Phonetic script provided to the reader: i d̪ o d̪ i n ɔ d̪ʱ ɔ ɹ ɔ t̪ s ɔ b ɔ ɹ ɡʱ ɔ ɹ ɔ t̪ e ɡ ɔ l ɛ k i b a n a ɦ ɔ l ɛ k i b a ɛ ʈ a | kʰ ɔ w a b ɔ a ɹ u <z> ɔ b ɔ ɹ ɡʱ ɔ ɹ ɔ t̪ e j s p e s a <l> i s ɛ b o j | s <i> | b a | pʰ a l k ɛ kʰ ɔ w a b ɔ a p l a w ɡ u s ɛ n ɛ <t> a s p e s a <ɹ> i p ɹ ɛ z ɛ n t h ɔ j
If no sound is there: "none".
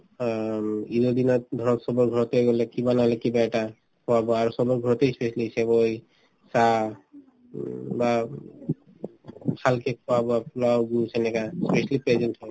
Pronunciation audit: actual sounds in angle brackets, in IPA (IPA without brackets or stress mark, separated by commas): s, l, a, k, l